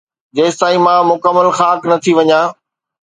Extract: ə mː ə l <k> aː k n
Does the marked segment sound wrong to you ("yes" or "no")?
yes